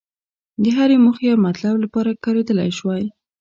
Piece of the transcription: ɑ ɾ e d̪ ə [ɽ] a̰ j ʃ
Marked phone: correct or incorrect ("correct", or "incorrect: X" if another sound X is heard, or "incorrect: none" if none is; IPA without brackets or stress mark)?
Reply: incorrect: l